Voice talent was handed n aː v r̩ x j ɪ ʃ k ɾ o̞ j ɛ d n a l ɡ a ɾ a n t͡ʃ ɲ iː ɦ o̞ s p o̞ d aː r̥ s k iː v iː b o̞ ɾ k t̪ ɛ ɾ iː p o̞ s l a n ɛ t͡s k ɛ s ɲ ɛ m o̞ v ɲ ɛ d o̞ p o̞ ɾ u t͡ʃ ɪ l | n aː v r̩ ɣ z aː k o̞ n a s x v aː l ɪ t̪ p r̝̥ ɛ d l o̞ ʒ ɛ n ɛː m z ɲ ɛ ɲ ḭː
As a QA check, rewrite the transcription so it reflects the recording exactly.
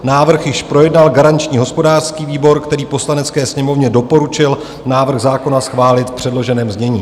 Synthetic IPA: n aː v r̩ x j ɪ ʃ p ɾ o̞ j ɛ d n a l ɡ a ɾ a n t͡ʃ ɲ iː ɦ o̞ s p o̞ d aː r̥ s k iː v iː b o̞ ɾ k t̪ ɛ ɾ iː p o̞ s l a n ɛ t͡s k ɛː s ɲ ɛ m o̞ v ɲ ɛ d o̞ p o̞ ɾ u t͡ʃ ɪ l | n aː v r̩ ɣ z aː k o̞ n a s x v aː l ɪ t̪ p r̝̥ ɛ d l o̞ ʒ ɛ n ɛː m z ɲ ɛ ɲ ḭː